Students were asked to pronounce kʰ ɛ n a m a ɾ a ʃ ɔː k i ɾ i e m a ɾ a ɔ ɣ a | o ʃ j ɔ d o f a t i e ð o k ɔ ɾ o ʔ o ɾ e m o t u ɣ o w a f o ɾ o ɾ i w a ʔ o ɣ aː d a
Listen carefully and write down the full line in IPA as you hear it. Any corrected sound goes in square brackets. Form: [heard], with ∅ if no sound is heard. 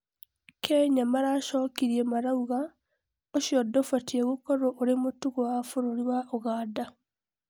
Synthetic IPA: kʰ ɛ [ɲ] a m a ɾ a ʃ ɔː k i ɾ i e m a ɾ a [u] ɣ a | o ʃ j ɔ d o f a t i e [ɣ] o k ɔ ɾ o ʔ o ɾ e m o t u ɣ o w a f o ɾ o ɾ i w a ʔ o ɣ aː d a